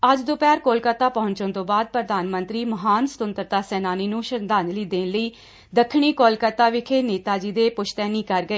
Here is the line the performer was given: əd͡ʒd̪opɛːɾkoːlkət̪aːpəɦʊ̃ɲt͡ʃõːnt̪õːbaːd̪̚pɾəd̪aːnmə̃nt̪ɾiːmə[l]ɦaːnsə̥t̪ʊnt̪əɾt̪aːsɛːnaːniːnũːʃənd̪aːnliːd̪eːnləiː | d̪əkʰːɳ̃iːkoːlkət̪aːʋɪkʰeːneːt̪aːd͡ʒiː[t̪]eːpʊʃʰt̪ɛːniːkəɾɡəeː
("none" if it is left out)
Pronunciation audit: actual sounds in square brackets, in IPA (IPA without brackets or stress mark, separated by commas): none, d̪